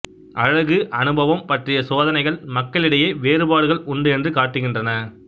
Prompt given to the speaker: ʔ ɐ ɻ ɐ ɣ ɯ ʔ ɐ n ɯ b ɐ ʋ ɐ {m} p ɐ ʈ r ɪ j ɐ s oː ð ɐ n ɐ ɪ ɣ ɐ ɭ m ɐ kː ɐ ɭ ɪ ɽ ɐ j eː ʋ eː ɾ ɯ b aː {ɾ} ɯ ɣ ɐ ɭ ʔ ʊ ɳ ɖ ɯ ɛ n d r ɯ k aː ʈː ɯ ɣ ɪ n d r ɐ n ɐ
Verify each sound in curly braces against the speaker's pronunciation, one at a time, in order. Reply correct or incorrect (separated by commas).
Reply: correct, incorrect